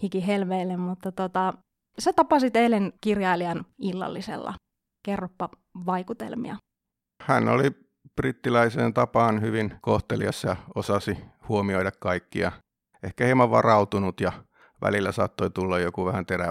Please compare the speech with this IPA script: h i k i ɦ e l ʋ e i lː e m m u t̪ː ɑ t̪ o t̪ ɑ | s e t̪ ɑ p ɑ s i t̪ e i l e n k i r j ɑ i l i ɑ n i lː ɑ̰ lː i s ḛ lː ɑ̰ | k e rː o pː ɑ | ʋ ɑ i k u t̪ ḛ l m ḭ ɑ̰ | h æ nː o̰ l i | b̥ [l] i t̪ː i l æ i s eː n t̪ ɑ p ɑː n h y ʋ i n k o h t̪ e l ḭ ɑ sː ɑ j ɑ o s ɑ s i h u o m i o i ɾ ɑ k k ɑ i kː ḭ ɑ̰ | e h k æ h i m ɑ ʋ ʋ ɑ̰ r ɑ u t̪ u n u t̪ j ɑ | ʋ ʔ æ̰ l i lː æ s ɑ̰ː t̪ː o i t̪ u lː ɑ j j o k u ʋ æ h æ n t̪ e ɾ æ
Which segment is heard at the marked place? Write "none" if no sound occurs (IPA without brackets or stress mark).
r